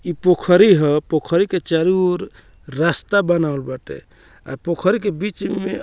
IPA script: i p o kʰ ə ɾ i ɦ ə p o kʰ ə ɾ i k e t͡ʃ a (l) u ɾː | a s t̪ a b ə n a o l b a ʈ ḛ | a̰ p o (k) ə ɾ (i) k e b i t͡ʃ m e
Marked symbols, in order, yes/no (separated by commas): no, no, yes